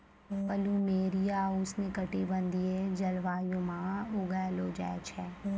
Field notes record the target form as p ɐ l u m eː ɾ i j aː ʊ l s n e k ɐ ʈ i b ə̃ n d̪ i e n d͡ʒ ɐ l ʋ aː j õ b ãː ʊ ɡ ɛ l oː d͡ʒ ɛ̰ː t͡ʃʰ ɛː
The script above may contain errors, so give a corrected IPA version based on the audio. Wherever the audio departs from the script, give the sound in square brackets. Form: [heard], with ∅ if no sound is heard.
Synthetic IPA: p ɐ l u m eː ɾ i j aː ʊ [∅] s n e k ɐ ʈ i b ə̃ n d̪ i e [∅] d͡ʒ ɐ l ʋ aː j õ [m] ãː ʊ ɡ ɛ l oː d͡ʒ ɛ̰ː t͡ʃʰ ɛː